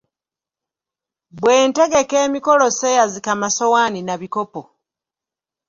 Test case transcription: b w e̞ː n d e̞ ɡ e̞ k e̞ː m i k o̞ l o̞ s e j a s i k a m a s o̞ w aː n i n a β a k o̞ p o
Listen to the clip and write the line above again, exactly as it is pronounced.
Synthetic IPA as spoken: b w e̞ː n t e̞ ɡ e̞ k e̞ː m i k o̞ l o̞ s e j a z i k a m a s o̞ w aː n i n a β i k o̞ p o